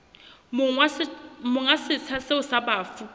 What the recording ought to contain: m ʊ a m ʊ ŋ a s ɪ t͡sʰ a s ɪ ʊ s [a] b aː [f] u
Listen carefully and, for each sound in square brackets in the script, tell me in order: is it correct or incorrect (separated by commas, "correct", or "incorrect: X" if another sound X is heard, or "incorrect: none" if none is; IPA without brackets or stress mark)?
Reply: correct, correct